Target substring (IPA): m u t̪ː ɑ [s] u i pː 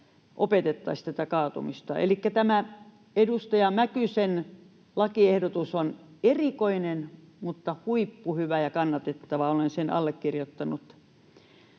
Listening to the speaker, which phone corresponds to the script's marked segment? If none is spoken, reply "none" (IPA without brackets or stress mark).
h